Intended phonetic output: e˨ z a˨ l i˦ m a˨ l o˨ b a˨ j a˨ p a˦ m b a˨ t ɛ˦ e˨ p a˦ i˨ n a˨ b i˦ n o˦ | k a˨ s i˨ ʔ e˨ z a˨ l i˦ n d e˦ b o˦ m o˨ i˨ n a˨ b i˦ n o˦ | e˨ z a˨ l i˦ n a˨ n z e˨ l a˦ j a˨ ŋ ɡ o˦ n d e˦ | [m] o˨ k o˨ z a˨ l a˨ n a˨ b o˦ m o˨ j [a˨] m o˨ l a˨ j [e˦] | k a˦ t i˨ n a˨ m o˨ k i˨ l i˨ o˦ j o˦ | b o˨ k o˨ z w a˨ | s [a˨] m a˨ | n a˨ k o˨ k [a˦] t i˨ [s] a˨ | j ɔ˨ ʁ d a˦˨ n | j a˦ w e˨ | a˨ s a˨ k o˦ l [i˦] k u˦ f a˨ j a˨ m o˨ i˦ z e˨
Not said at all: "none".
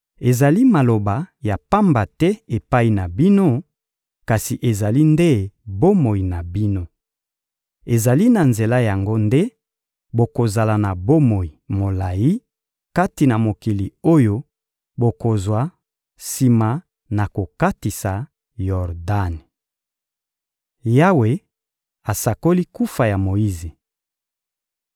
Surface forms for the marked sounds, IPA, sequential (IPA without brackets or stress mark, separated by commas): b, i˨, i˦, i˨, a˦, s, i˦